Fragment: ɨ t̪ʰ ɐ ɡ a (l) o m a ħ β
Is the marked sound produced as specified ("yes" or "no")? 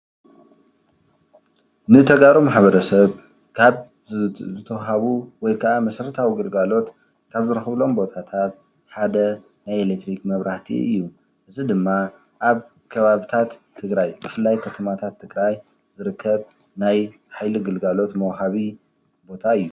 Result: no